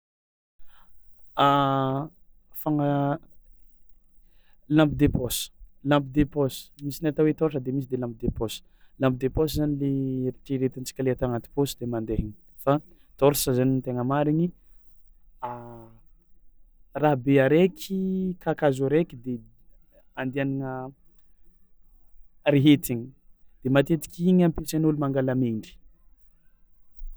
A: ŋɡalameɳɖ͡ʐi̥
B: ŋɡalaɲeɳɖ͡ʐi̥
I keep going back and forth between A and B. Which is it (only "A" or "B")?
A